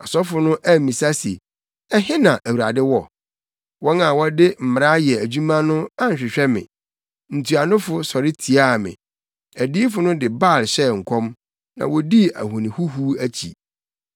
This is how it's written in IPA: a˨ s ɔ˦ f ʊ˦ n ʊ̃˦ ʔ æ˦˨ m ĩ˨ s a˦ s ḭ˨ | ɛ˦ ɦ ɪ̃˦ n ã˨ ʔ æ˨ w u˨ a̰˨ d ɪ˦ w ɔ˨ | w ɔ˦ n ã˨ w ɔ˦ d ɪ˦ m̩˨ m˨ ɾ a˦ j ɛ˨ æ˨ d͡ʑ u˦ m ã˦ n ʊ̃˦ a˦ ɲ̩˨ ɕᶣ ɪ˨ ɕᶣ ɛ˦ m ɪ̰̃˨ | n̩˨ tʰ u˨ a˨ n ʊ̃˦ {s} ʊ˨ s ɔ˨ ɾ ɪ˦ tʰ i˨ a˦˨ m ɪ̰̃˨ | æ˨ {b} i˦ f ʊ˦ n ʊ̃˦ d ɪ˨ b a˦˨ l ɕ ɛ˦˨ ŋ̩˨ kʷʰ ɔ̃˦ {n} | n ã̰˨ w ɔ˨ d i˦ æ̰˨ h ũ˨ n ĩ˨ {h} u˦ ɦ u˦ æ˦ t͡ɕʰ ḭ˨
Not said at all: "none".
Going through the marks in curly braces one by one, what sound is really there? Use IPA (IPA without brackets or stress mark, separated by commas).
f, d, m, h